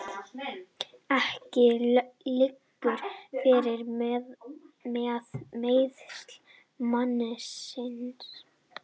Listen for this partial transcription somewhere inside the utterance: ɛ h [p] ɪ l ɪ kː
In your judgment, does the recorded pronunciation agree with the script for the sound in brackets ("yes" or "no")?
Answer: no